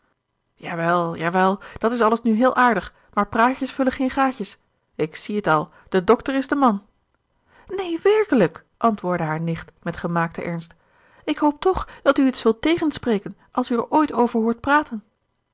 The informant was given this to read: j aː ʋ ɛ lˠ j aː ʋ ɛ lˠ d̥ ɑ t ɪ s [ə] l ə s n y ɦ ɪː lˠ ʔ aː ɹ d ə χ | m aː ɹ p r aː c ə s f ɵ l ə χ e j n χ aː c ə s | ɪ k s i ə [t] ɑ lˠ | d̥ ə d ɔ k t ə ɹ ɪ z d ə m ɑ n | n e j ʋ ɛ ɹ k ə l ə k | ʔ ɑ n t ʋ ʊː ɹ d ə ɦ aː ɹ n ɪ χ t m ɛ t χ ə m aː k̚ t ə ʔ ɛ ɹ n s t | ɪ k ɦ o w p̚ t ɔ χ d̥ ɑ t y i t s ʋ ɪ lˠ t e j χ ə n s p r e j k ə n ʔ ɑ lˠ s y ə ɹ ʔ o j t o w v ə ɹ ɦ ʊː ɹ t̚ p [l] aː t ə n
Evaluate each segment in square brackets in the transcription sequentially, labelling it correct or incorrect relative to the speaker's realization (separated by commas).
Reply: incorrect, correct, incorrect